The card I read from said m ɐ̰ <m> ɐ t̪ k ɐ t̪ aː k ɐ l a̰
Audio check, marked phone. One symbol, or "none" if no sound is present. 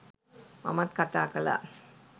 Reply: m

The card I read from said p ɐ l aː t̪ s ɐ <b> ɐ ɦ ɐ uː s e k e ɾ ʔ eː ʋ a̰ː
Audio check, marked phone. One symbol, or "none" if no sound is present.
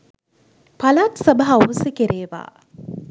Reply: b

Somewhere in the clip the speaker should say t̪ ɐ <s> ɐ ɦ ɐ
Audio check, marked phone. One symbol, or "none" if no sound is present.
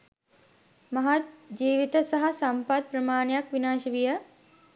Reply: s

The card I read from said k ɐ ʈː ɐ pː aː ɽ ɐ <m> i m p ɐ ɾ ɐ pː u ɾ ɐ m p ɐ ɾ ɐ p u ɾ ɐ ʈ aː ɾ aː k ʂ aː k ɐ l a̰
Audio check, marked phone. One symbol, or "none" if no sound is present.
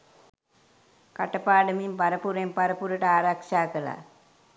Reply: m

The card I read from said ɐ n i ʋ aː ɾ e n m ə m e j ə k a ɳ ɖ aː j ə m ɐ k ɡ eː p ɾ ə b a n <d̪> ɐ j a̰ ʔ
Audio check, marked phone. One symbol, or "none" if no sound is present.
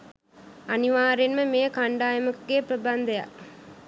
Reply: d̪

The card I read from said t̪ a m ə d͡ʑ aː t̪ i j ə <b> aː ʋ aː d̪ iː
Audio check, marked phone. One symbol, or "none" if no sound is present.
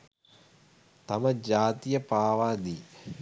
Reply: p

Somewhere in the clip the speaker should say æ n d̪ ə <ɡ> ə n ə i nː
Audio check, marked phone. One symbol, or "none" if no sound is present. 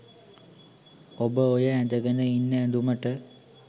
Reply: ɡ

